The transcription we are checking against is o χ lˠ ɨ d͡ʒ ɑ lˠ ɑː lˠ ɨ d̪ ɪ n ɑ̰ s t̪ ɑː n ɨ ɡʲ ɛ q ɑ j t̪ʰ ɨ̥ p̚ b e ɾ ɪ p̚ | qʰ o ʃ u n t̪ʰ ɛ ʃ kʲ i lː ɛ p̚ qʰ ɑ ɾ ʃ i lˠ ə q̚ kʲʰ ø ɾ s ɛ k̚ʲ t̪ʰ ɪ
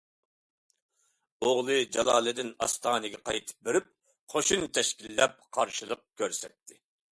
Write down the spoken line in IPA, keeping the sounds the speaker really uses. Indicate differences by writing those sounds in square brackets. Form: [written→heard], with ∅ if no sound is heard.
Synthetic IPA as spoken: o [χ→ʁ] lˠ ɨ d͡ʒ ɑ lˠ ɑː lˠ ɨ d̪ ɪ n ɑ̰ s t̪ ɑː n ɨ ɡʲ ɛ q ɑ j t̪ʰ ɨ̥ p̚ b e ɾ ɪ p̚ | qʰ o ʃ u n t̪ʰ ɛ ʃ kʲ i lː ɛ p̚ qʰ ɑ ɾ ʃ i lˠ ə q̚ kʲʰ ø ɾ s ɛ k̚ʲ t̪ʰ ɪ